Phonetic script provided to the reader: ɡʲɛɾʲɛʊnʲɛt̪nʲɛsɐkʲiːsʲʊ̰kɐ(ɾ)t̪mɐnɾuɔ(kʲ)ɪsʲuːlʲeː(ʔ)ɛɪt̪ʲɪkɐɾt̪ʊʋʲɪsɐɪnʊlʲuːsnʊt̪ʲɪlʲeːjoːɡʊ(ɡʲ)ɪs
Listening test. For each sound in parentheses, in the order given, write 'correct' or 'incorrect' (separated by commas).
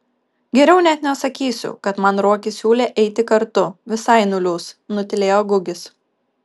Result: incorrect, correct, correct, correct